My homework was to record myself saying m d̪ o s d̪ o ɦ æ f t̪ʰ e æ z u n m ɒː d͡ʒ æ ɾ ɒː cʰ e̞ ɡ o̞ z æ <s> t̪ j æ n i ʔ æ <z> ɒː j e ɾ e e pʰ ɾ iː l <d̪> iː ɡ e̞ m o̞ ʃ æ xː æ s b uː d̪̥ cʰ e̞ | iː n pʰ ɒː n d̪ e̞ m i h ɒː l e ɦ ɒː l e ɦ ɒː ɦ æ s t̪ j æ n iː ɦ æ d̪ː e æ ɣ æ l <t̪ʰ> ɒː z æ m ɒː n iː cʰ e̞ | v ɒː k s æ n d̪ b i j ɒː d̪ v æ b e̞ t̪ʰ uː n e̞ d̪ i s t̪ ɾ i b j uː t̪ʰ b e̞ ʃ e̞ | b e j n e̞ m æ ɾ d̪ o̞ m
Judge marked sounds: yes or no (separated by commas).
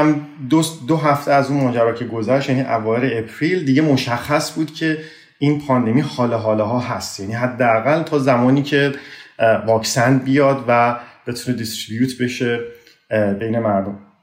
no, no, yes, yes